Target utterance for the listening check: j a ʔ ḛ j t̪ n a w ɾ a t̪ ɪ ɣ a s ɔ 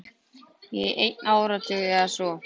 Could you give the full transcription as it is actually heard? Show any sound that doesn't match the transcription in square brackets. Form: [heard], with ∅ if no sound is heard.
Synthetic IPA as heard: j [ɛ] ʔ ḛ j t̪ n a w ɾ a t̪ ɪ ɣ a s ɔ